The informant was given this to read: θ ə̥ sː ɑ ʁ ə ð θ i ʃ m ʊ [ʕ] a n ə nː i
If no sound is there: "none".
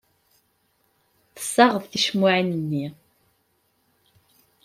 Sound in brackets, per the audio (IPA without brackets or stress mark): ʕ